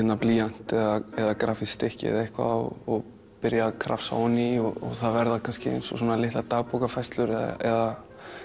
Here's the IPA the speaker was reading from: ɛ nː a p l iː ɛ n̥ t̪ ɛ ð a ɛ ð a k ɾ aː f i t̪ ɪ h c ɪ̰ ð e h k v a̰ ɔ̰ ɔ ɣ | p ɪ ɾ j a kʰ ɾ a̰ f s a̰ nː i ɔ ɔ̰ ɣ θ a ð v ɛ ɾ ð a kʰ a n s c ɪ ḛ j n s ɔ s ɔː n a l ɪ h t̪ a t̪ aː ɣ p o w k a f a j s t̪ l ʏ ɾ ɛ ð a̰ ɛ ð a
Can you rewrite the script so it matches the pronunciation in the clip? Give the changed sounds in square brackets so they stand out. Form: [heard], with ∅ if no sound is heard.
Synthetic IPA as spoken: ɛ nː a p l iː [a] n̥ t̪ ɛ ð a ɛ ð a k ɾ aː f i t̪ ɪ h c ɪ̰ ð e h k v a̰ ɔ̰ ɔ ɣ | p ɪ ɾ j a kʰ ɾ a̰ f s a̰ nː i ɔ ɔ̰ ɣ θ a ð v ɛ ɾ ð a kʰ a n s c ɪ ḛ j n s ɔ s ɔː n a l ɪ h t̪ a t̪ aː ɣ p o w k a f a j s t̪ l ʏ ɾ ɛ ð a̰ ɛ ð a

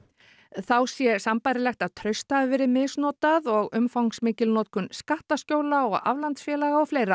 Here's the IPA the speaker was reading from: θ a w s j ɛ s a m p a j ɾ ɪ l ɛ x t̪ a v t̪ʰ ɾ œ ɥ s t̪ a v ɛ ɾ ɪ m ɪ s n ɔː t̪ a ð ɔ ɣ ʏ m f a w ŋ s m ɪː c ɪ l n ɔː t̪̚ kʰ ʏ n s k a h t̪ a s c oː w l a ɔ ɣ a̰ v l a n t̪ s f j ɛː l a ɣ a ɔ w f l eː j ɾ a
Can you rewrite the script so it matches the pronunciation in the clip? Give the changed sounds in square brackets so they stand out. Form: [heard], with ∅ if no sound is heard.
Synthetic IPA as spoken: θ a w s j ɛ s a m p a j ɾ ɪ l ɛ x t̪ a [ð] t̪ʰ ɾ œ ɥ s t̪ a v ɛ ɾ ɪ m ɪ s n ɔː t̪ a ð ɔ ɣ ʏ m f a w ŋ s m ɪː c ɪ l n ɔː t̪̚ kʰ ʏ n s k a h t̪ a s c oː w l a ɔ ɣ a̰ v l a n t̪ s f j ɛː l a ɣ a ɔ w f l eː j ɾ a

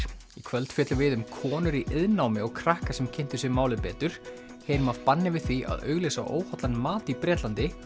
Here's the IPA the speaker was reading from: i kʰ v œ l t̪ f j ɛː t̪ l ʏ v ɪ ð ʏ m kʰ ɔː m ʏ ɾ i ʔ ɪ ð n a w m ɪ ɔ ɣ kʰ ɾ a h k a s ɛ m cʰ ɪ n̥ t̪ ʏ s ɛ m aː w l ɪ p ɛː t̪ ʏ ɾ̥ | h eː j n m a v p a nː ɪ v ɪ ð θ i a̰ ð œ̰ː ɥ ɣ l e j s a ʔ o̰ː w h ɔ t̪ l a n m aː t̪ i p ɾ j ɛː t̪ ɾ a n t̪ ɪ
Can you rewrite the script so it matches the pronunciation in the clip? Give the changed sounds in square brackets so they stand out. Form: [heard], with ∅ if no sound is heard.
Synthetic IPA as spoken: i kʰ v œ l t̪ f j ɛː t̪ l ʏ v ɪ ð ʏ m kʰ ɔː [n] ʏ ɾ i ʔ ɪ ð n a w m ɪ ɔ ɣ kʰ ɾ a h k a s ɛ m cʰ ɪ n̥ t̪ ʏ s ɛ m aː w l ɪ p ɛː t̪ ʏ ɾ̥ | h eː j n m a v p a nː ɪ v ɪ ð θ i a̰ ð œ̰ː ɥ ɣ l e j s a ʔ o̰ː w h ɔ t̪ l a n m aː t̪ i p ɾ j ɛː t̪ [l] a n t̪ ɪ

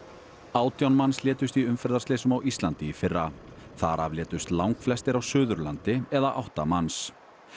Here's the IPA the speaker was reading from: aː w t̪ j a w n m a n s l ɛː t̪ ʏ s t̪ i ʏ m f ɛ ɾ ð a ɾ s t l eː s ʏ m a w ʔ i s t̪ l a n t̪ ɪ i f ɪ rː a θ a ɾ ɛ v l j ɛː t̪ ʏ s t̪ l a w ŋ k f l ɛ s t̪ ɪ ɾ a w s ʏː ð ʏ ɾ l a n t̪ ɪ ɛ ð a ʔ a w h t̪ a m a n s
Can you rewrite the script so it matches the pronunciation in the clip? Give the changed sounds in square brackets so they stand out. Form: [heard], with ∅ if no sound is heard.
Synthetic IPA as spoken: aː w t̪ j a w n m a n s l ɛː t̪ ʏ s t̪ i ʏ m f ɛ ɾ ð a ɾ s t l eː s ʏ m a w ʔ i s t̪ l a n t̪ ɪ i f ɪ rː a θ a ɾ [a] v l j ɛː t̪ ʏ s t̪ l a w ŋ k f l ɛ s t̪ ɪ ɾ a w s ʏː ð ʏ ɾ l a n t̪ ɪ ɛ ð a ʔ a w h t̪ a m a n s

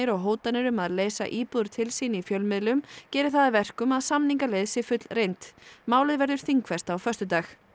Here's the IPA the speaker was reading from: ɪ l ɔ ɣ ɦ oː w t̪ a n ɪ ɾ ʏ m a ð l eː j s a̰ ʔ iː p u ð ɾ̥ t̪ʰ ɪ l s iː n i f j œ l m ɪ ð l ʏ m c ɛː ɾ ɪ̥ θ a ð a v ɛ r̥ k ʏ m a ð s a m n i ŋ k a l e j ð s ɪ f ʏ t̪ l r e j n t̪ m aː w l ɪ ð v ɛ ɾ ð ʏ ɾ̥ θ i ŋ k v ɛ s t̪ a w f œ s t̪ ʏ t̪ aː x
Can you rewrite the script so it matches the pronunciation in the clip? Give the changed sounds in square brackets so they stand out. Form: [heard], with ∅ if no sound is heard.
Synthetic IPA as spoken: ɪ [ɾ] ɔ ɣ ɦ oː w t̪ a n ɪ ɾ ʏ m a ð l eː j s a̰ ʔ iː p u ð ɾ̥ t̪ʰ ɪ l s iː n i f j œ l m ɪ ð l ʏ m c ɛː ɾ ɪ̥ θ a ð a v ɛ r̥ k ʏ m a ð s a m n i ŋ k a l e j ð s ɪ f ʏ t̪ l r e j n t̪ m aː w l ɪ ð v ɛ ɾ ð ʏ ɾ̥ θ i ŋ k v ɛ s t̪ a w f œ s t̪ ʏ t̪ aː x

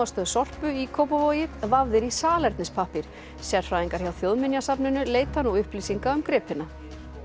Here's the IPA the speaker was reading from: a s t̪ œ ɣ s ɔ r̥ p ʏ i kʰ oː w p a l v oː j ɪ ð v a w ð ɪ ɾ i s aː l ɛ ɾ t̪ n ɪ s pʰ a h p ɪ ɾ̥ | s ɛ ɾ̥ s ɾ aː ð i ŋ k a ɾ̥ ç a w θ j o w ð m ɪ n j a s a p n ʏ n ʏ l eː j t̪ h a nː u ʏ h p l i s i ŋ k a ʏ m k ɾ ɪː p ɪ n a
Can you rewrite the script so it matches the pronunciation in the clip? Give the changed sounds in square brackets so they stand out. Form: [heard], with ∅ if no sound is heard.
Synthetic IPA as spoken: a s t̪ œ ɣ s ɔ r̥ p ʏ i kʰ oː w p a [∅] v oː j ɪ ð v a [v] ð ɪ ɾ i s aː l ɛ ɾ t̪ n ɪ s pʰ a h p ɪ ɾ̥ | s ɛ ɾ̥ [f] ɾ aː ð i ŋ k a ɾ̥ ç a w θ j o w ð m ɪ n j a s a p n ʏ n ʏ l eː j t̪ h a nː u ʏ h p l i s i ŋ k a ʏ m k ɾ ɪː p ɪ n a

